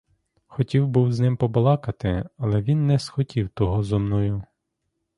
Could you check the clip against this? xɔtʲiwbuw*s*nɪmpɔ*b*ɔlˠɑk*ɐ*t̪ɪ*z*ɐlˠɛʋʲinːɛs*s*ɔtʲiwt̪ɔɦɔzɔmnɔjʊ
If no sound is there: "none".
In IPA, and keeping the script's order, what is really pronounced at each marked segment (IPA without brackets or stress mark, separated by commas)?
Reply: z, b, ɐ, none, x